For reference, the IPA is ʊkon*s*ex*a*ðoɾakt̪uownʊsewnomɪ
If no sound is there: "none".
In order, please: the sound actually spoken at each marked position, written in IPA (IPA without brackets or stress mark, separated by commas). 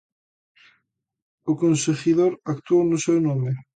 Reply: s, i